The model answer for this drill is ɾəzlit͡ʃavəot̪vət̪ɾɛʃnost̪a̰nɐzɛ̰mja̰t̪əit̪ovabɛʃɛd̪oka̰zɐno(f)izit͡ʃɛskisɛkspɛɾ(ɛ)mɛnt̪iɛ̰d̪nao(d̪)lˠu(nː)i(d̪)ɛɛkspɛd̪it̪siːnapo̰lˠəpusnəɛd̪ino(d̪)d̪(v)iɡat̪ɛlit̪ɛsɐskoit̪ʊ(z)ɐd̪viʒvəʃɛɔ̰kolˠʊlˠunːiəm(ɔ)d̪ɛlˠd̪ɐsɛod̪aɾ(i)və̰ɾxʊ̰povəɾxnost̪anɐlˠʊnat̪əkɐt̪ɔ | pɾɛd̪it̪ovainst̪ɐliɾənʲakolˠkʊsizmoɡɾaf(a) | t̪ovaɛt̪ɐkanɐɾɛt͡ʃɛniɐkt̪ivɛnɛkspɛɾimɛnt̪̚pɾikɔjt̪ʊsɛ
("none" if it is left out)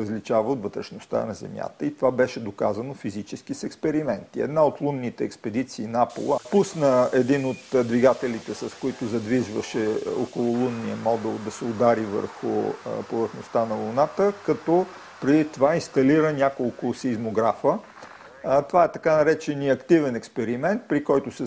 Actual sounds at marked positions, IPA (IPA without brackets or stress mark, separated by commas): f, i, t̪, nː, t̪, t̪, v, z, ɔ, i, ə